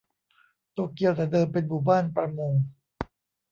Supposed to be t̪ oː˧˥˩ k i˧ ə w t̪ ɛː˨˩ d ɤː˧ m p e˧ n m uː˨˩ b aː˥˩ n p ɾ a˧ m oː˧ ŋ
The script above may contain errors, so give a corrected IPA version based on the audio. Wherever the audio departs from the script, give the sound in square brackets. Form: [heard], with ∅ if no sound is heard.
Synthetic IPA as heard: t̪ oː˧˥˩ k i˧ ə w t̪ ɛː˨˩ d ɤː˧ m p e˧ n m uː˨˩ b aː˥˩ n p ɾ a˧ m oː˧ ŋ